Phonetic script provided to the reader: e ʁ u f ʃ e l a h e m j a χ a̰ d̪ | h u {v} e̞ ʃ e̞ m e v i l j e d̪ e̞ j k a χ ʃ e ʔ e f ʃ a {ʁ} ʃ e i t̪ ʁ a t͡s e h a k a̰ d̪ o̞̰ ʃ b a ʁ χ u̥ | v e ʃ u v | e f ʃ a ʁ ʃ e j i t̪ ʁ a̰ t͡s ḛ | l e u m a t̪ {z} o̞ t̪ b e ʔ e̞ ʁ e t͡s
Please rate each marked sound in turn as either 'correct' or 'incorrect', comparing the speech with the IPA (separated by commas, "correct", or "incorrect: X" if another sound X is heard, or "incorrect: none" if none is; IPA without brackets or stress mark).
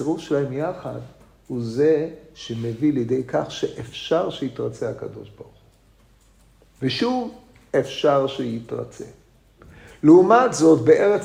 incorrect: z, correct, correct